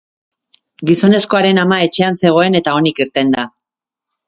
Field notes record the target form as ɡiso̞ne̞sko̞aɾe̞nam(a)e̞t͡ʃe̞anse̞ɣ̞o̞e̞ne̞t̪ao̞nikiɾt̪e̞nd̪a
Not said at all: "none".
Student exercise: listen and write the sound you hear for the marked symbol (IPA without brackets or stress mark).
a